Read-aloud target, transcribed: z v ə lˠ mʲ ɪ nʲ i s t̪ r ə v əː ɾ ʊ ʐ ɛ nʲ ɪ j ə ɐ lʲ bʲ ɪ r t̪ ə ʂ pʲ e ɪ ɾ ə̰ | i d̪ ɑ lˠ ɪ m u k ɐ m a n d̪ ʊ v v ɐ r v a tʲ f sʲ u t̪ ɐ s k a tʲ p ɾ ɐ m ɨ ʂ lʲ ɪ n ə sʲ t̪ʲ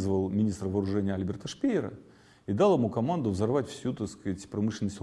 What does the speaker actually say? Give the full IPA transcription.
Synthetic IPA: z v ə lˠ mʲ ɪ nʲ i s t̪ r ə v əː ɾ ʊ ʐ ɛ nʲ ɪ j ə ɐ lʲ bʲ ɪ r t̪ ə ʂ pʲ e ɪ ɾ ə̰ | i d̪ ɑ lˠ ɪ m u k ɐ m a n d̪ ʊ v z ɐ r v a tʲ f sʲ u t̪ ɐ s k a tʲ p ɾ ɐ m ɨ ʂ lʲ ɪ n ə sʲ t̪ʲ

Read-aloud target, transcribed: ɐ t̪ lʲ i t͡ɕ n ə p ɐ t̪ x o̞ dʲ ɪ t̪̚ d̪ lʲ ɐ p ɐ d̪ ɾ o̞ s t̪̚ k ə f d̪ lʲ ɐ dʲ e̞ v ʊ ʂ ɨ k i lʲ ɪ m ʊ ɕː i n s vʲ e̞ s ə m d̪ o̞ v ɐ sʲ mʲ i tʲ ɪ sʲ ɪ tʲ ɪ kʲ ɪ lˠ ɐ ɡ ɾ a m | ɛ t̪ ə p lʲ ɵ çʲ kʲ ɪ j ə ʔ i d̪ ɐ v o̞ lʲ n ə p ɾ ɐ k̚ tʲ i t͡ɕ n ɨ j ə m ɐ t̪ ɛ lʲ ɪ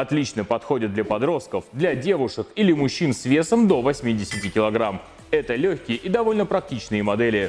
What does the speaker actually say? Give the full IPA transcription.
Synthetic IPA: ɐ t̪ lʲ i t͡ɕ n ə p ɐ t̪ x o̞ dʲ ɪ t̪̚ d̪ lʲ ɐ p ɐ d̪ ɾ o̞ s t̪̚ k ə f d̪ lʲ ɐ dʲ e̞ v ʊ ʂ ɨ k i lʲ ɪ m ʊ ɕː i n s vʲ e̞ s ə m d̪ o̞ v ɐ sʲ mʲ i dʲ ɪ sʲ ɪ tʲ ɪ kʲ ɪ lˠ ɐ ɡ ɾ a m | ɛ t̪ ə lʲ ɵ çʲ kʲ ɪ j ə ʔ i d̪ ɐ v o̞ lʲ n ə p ɾ ɐ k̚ tʲ i t͡ɕ n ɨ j ə m ɐ d̪ ɛ lʲ ɪ

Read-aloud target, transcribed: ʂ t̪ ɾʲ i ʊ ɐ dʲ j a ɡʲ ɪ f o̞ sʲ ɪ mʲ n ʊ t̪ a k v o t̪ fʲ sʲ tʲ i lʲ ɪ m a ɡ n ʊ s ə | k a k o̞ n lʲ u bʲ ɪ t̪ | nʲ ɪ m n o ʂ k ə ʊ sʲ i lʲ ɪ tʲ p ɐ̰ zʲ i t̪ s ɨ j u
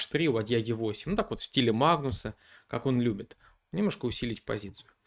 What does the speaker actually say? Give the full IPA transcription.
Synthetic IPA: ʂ t̪ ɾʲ i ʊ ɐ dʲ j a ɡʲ ɪ v o̞ sʲ ɪ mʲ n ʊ t̪ a k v o t̪ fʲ sʲ tʲ i lʲ ɪ m a ɡ n ʊ s ə | k a k o̞ n lʲ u bʲ ɪ t̪ | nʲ ɪ m n o ʂ k ə ʊ sʲ i lʲ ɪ tʲ p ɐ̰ zʲ i t̪ s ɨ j ʊ

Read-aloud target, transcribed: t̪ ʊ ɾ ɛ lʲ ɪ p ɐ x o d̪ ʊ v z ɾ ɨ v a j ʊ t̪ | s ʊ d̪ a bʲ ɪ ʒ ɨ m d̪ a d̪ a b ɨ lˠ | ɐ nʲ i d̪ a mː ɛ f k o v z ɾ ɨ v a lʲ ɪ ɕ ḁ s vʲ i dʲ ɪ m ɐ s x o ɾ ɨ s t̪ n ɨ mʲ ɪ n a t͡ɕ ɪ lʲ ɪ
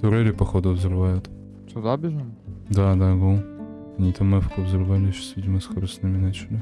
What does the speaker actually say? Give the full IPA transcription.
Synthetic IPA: t̪ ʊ ɾ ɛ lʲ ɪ p ɐ x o d̪ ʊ v z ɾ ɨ v a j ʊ t̪ | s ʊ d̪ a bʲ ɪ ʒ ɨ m d̪ a d̪ a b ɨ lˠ | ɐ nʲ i t̪ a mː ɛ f k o v z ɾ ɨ v a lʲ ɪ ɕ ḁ s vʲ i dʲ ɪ m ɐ s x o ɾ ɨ s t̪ n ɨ mʲ ɪ n a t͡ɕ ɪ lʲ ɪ

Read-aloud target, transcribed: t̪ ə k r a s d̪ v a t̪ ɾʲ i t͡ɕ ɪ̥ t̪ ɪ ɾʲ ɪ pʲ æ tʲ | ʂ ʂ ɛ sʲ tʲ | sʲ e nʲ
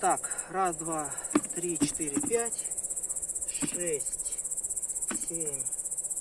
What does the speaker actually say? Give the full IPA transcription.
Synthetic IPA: t̪ a k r a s d̪ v a t̪ ɾʲ i t͡ɕ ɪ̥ t̪ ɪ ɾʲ ɪ pʲ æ tʲ | ʂ ʂ ɛ sʲ tʲ | sʲ e mʲ

